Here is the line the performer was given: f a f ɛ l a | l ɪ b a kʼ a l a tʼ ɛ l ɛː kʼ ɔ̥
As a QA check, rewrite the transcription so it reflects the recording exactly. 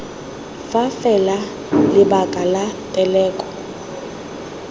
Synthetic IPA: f a f ɛ l a | l ɪ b a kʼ a l a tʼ ɛ l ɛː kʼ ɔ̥

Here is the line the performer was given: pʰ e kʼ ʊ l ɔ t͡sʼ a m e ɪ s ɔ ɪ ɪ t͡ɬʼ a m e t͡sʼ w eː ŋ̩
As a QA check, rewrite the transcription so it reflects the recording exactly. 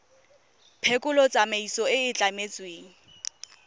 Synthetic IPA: pʰ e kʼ ʊ l ɔ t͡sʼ a m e i s ɔ ɪ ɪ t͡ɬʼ a m e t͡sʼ w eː ŋ̩

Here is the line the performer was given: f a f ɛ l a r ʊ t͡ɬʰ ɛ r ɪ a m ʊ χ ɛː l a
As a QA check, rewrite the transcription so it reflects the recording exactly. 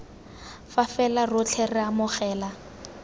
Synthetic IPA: f a f ɛ l a r ʊ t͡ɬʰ ɛ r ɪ a m ʊ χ ɛː l a

